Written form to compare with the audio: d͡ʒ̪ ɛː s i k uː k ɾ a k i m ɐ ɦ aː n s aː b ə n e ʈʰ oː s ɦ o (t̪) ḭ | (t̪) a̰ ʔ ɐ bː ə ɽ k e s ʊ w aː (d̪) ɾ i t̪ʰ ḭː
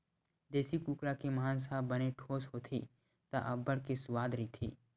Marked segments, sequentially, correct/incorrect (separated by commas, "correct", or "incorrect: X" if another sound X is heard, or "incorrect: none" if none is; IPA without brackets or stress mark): incorrect: t̪ʰ, correct, correct